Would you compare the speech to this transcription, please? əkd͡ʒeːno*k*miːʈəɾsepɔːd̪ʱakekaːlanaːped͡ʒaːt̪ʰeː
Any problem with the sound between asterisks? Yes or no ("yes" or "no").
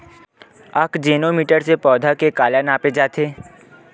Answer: yes